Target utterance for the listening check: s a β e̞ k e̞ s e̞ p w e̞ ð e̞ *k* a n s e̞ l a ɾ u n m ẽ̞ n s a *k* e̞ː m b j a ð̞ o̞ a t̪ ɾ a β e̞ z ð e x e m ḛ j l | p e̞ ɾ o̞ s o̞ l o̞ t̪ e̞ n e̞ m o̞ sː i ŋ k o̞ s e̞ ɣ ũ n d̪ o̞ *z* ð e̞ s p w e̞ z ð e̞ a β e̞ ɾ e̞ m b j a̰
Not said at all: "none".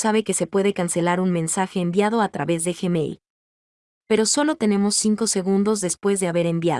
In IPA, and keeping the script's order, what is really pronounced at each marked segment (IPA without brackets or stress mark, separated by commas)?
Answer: k, x, z